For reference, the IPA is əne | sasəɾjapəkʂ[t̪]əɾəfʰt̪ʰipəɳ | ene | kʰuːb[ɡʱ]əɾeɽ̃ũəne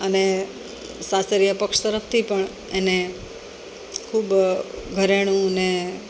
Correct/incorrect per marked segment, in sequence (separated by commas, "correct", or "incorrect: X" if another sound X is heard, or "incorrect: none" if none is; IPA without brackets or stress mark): correct, correct